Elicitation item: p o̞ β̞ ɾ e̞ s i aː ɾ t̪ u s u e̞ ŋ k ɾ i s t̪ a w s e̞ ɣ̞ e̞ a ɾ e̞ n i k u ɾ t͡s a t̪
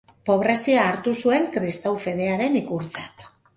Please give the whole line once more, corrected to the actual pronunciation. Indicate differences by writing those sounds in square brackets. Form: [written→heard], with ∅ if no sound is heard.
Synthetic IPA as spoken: p o̞ β̞ ɾ e̞ s i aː ɾ t̪ u s u e̞ ŋ k ɾ i s t̪ a w [s→f] e̞ [ɣ̞→ð̞] e̞ a ɾ e̞ n i k u ɾ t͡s a t̪